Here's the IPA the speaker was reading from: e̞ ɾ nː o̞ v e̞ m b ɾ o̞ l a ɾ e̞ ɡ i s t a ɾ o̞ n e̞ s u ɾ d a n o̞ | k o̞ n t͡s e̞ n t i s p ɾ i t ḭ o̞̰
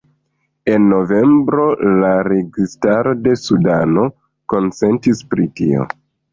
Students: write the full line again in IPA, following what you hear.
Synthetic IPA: e̞ nː o̞ v e̞ m b ɾ o̞ l a ɾ e̞ ɡ i s t a ɾ o̞ d e̞ s u d a n o̞ | k o̞ n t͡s e̞ n t i s p ɾ i t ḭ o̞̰